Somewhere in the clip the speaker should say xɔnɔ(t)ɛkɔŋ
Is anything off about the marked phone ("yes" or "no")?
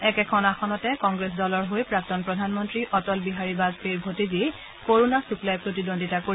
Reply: no